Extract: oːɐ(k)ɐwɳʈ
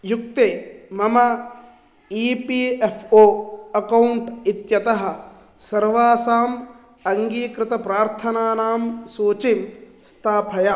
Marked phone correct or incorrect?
correct